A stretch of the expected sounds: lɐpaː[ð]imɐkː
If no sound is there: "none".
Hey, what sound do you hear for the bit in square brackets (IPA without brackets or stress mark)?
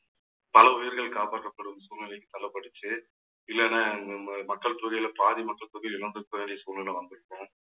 ð